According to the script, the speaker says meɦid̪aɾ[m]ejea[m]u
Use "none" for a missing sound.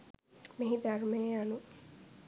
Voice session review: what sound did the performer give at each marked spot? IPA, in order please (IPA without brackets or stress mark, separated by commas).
m, n